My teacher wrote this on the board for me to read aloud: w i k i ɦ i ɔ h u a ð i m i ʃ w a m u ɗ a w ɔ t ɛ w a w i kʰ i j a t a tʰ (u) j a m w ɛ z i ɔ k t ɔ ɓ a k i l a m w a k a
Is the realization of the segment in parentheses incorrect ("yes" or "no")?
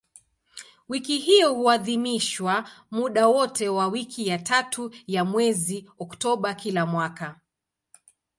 no